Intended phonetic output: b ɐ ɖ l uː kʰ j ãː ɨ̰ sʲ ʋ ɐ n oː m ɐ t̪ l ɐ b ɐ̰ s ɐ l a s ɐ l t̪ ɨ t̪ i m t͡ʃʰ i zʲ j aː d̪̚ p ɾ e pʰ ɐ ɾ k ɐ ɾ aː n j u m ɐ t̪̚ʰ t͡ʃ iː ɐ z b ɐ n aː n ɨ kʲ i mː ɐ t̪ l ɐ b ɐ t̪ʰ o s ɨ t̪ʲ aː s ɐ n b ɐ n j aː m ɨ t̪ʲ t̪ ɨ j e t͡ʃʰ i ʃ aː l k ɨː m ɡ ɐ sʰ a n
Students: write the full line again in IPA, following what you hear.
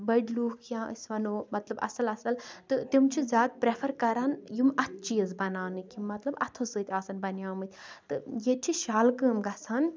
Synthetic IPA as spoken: b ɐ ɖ l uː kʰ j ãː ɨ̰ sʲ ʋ ɐ n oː m ɐ t̪ l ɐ b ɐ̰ s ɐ l ɐ s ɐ l t̪ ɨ t̪ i m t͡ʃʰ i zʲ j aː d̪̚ p ɾ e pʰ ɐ ɾ k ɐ ɾ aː n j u m ɐ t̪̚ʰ t͡ʃ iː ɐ z b ɐ n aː n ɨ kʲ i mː ɐ t̪ l ɐ b ɐ t̪ʰ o s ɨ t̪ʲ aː s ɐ n b ɐ n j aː m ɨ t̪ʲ t̪ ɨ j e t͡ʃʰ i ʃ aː l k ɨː m ɡ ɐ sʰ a n